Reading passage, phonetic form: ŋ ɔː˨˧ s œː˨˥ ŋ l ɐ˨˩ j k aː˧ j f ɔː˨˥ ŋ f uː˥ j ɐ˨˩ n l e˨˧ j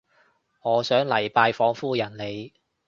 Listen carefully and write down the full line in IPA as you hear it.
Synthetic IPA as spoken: ŋ ɔː˨˧ s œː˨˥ ŋ l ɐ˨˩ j p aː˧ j f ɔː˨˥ ŋ f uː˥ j ɐ˨˩ n l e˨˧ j